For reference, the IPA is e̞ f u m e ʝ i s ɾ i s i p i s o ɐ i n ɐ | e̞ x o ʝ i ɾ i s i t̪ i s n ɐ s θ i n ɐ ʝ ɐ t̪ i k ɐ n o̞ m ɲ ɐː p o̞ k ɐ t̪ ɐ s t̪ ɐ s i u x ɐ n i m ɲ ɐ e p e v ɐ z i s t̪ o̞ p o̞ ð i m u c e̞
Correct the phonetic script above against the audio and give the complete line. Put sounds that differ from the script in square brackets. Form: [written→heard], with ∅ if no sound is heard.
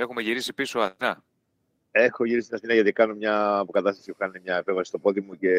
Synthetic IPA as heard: e̞ [f→x] u m e ʝ i [s→∅] ɾ i s i p i s o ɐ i n ɐ | e̞ x o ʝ i ɾ i s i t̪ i [s→∅] n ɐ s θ i n ɐ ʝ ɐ t̪ i k ɐ n o̞ m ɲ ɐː p o̞ k ɐ t̪ ɐ s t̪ ɐ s i u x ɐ n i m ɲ ɐ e p e v ɐ [z→s] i s t̪ o̞ p o̞ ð i m u c e̞